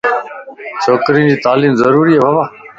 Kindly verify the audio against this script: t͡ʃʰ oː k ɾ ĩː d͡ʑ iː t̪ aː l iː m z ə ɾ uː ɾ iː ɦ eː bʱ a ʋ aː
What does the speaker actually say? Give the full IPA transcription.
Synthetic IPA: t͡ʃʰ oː k ɾ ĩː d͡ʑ iː t̪ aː l iː m z ə ɾ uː ɾ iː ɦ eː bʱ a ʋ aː